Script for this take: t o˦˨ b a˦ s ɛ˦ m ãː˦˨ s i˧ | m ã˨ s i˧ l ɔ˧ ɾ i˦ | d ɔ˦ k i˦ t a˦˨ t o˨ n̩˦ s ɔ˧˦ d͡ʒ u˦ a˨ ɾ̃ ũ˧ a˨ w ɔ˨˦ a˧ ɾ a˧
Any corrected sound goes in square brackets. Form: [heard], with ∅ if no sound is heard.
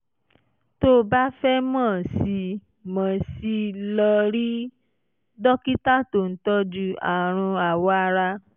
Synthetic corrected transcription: t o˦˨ b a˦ [f] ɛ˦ m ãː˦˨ s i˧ | m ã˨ s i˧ l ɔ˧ ɾ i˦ | d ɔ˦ k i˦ t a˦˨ t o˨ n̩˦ [t] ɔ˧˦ d͡ʒ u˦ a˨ ɾ̃ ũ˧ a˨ w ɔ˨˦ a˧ ɾ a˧